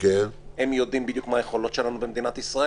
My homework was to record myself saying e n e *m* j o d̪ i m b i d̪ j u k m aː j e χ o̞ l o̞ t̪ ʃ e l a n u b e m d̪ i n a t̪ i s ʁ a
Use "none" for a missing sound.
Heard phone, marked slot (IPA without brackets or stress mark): m